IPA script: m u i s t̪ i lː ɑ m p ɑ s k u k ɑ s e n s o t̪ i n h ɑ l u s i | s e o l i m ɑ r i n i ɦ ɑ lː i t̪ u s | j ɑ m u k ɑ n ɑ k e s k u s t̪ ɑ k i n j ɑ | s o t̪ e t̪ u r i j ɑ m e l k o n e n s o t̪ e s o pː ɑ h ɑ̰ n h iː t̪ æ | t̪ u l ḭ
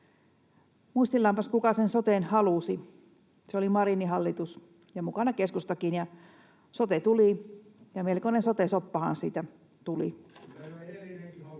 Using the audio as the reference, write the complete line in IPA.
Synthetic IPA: m u i s t̪ i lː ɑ m p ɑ s k u k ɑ s e n s o t̪ e n h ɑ l u s i | s e o l i m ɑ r i n i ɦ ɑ lː i t̪ u s | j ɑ m u k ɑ n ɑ k e s k u s t̪ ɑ k i n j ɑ | s o t̪ e t̪ u l i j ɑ m e l k o n e n s o t̪ e s o pː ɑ h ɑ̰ n s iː t̪ æ | t̪ u l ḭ

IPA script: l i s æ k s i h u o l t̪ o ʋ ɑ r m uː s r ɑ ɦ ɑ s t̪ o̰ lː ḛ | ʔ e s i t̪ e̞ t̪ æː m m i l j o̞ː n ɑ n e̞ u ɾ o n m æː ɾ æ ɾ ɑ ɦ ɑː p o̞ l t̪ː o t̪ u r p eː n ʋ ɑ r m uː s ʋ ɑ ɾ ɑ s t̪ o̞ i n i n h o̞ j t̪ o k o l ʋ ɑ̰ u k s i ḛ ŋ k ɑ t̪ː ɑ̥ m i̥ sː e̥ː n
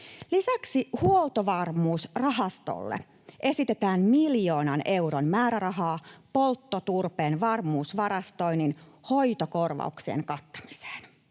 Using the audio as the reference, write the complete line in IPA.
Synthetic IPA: l i s æ k s i h u o l t̪ o ʋ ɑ r m uː s r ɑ ɦ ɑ s t̪ o̰ lː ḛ | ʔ e s i t̪ e̞ t̪ æː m m i l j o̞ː n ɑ n e̞ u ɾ o n m æː ɾ æ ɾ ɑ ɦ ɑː p o̞ l t̪ː o t̪ u r p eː n ʋ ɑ r m uː s ʋ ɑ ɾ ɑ s t̪ o̞ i n i n h o̞ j t̪ o k o r ʋ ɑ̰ u k s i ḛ ŋ k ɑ t̪ː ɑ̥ m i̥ s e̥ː n

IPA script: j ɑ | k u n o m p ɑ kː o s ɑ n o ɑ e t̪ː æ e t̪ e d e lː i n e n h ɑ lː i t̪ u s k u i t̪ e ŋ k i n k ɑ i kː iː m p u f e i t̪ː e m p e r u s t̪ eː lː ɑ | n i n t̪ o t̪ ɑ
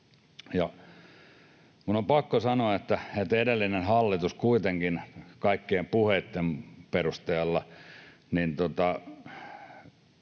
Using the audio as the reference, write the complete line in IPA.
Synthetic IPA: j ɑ | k u n o m p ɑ kː o s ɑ n o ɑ e t̪ː æ e t̪ e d e lː i n e n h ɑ lː i t̪ u s k u i t̪ e ŋ k i n k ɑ i kː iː m p u h e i t̪ː e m p e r u s t̪ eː lː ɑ | n i n t̪ o t̪ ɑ

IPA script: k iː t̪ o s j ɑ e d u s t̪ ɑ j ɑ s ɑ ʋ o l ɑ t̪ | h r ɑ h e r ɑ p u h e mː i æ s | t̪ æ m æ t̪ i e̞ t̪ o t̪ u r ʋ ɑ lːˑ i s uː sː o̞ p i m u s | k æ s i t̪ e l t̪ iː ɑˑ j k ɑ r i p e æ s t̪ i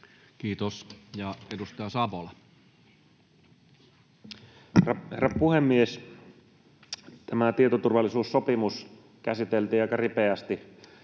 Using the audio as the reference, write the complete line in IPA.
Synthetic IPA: k iː t̪ o s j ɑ e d u s t̪ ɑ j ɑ s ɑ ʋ o l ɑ | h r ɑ h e r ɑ p u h e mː i e s | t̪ æ m æ t̪ i e̞ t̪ o t̪ u r ʋ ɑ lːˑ i s uː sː o̞ p i m u s | k æ s i t̪ e l t̪ iː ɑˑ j k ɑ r i p e æ s t̪ i

